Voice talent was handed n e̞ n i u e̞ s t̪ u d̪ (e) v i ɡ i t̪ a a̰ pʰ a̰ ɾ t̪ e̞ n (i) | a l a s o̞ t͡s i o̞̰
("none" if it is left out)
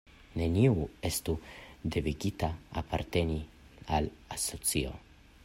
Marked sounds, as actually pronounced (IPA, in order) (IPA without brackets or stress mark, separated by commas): e, i